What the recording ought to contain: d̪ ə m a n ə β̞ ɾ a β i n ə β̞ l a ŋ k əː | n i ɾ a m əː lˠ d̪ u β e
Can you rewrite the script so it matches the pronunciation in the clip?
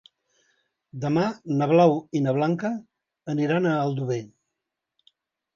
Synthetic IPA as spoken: d̪ ə m a n ə β̞ l a w i n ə β̞ l a ŋ k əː | n i ɾ a n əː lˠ d̪ u β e

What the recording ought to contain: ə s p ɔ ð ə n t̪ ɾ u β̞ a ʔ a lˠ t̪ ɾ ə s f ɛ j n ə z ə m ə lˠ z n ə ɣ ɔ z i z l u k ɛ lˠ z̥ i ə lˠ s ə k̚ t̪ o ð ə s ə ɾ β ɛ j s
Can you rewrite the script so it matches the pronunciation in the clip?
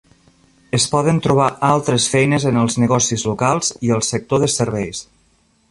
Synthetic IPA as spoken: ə s p ɔ ð ə n t̪ ɾ u β̞ a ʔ a lˠ t̪ ɾ ə s f ɛ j n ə z ə n ə lˠ z n ə ɣ ɔ s i z l u k a lˠ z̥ i ə lˠ s ə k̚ t̪ o ð ə s ə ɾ β ɛ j s

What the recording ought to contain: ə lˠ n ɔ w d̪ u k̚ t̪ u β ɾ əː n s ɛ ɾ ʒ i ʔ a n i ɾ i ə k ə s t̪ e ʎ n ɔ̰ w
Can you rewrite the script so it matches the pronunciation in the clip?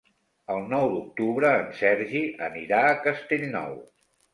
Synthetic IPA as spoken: ə lˠ n ɔ w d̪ u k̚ t̪ u β ɾ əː n s ɛ ɾ ʒ i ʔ ə n i ɾ a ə k ə s t̪ e ʎ n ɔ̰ w

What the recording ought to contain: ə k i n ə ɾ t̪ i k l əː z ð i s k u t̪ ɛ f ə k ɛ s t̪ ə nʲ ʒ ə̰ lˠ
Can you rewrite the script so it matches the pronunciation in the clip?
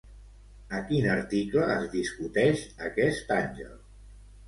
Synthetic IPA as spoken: ə k i n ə ɾ t̪ i k l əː z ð i s k u t̪ ɛ ʃ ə k ɛ s t̪ a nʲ ʒ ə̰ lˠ

